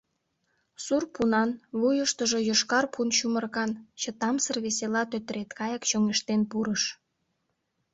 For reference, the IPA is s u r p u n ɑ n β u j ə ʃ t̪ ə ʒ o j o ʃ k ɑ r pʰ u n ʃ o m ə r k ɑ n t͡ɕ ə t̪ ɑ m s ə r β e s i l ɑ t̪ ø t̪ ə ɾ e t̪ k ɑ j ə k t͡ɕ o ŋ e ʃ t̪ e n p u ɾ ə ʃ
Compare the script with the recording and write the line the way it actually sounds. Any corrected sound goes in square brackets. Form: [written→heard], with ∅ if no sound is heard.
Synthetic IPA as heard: s u r p u n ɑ n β u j ə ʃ t̪ ə ʒ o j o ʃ k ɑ r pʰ u n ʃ [o→u] m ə r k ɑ n t͡ɕ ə t̪ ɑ m s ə r β e s [i→e] l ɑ t̪ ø t̪ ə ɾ e t̪ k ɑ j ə k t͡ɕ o ŋ e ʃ t̪ e n p u ɾ ə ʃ